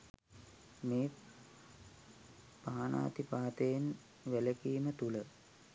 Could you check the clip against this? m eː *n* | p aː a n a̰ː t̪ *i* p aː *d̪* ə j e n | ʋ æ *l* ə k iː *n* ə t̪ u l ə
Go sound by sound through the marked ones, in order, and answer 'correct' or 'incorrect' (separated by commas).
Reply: incorrect, correct, incorrect, correct, incorrect